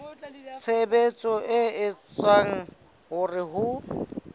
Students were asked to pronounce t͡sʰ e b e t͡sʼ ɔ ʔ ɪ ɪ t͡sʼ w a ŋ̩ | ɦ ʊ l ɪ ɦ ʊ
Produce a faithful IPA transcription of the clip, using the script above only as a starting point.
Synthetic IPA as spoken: t͡sʰ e b e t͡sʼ ɔ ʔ ɪ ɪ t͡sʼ w a ŋ̩ | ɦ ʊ r ɪ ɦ ʊ